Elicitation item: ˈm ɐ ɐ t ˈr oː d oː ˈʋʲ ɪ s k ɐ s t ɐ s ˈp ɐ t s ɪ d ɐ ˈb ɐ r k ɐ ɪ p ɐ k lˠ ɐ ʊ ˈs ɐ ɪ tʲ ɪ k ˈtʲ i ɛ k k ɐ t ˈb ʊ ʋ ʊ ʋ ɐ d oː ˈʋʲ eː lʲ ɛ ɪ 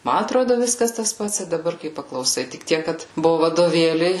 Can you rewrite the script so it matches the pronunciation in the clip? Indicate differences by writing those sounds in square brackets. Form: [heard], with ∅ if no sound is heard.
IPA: ˈm ɐ ɐ t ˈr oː d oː ˈʋʲ ɪ s k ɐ s t ɐ s ˈp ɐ t s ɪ d ɐ ˈb ɐ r k ɐ ɪ p ɐ k lˠ ɐ ʊ ˈs ɐ ɪ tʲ ɪ k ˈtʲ i ɛ k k ɐ t ˈb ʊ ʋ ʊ ʋ ɐ d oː ˈʋʲ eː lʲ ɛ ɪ